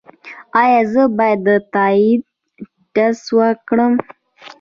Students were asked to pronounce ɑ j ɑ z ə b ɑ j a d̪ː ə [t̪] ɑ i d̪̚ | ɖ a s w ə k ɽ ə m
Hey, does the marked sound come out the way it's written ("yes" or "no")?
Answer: yes